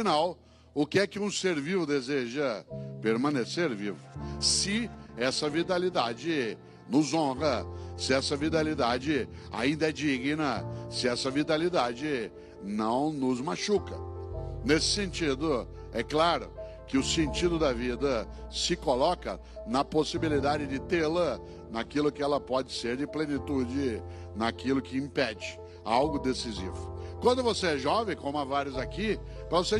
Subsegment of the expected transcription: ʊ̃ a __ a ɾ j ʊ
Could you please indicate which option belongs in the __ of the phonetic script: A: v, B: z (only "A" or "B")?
A